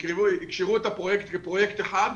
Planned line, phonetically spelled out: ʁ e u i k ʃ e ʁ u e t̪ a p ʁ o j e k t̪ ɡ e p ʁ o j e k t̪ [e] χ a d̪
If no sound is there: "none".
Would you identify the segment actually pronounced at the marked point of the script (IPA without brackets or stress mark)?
e